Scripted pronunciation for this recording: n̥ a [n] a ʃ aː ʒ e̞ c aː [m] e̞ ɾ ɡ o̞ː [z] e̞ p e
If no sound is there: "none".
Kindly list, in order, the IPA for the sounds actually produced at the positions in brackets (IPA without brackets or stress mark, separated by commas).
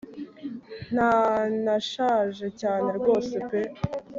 n, n, s